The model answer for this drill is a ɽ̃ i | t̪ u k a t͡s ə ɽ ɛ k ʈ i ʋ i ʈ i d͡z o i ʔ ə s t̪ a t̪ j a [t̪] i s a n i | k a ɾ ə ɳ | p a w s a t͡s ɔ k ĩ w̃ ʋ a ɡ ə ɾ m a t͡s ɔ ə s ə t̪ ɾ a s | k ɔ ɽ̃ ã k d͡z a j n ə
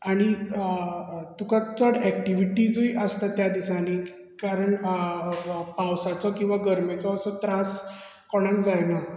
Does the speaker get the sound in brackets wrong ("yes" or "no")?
yes